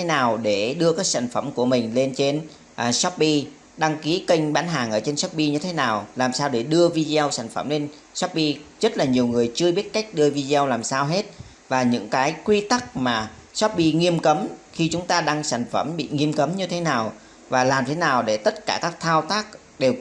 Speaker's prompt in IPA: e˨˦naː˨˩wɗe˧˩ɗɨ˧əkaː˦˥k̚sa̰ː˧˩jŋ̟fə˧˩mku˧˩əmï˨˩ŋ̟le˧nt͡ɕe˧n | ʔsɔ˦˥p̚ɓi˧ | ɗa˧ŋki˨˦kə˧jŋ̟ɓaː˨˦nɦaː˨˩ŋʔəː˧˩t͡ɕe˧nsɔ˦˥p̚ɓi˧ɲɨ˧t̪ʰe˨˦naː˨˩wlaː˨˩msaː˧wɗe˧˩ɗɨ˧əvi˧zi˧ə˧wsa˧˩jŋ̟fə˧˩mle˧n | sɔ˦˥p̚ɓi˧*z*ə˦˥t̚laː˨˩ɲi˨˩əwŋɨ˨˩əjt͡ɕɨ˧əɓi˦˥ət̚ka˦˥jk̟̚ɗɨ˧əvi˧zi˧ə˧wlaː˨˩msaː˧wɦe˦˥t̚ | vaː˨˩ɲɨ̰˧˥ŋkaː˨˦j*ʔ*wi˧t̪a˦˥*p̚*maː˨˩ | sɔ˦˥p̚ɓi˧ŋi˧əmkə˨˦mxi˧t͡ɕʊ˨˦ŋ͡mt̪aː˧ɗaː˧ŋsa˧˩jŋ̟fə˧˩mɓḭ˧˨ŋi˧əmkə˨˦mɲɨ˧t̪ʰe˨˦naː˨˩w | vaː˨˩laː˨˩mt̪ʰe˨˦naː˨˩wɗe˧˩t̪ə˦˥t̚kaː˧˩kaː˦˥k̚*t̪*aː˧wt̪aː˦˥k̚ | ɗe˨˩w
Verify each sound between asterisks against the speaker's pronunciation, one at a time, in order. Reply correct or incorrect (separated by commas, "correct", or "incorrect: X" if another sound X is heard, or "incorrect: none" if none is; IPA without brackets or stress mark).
correct, incorrect: k, incorrect: k̚, incorrect: t̪ʰ